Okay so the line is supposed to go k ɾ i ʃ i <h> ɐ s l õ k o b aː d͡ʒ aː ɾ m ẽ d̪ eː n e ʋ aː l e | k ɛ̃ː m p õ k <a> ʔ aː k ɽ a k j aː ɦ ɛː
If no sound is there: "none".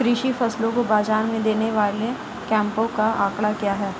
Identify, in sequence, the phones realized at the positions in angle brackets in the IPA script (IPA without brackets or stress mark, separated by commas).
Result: f, a